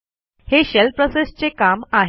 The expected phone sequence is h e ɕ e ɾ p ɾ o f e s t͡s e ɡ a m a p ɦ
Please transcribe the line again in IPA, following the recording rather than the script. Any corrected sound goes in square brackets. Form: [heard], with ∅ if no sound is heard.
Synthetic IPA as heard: h e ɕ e [l] p ɾ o [s] e s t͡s e [k] a m a [∅] ɦ